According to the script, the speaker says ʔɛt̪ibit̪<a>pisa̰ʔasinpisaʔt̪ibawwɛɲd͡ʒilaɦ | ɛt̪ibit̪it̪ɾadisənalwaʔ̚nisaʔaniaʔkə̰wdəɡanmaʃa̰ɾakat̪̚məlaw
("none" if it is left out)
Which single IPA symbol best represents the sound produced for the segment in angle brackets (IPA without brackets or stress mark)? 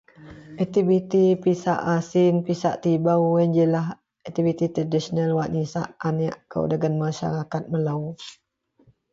i